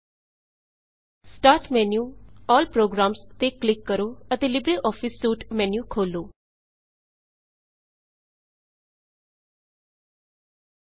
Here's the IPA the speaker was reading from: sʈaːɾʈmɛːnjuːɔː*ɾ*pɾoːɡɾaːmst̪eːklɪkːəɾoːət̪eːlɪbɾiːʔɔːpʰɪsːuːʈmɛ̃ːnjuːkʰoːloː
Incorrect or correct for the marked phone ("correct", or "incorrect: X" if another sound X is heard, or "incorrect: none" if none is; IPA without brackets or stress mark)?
incorrect: l